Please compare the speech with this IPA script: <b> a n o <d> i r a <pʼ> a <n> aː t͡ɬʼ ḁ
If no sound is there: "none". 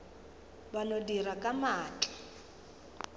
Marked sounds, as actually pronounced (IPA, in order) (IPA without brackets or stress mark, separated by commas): b, d, kʼ, m